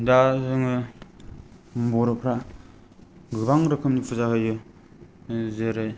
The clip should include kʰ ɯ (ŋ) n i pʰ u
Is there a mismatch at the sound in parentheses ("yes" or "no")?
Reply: yes